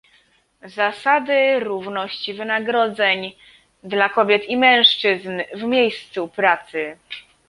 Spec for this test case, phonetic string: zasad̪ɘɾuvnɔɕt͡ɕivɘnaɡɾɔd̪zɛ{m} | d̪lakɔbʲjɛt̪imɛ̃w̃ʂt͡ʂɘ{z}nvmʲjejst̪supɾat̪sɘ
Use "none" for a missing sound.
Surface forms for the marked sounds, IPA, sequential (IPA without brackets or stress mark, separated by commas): ɲ, z